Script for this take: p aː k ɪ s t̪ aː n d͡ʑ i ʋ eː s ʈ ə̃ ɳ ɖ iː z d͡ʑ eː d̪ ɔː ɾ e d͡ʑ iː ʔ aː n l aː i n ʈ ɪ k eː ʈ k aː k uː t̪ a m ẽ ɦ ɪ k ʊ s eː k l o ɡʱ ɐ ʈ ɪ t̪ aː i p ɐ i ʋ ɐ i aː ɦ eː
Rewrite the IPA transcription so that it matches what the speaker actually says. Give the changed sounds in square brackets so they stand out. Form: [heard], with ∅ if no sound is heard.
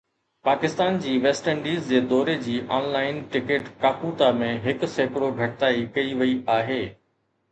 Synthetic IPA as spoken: p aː k ɪ s t̪ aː n d͡ʑ [iː] ʋ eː s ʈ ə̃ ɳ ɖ iː z d͡ʑ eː d̪ ɔː ɾ e d͡ʑ iː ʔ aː n l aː [ɪ] n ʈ ɪ k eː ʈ k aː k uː t̪ a m ẽ ɦ ɪ k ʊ s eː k [ɽ] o ɡʱ ɐ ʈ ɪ t̪ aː i [k] ɐ i ʋ ɐ i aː ɦ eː